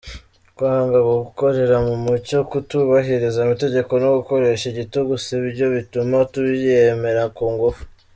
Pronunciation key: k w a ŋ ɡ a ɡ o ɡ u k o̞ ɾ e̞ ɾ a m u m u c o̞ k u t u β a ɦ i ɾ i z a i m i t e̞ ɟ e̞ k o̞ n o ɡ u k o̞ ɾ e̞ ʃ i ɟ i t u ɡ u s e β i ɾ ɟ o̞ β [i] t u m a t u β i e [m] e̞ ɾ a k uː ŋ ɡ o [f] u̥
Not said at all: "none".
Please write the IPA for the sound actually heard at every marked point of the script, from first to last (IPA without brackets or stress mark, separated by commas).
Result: i, m, f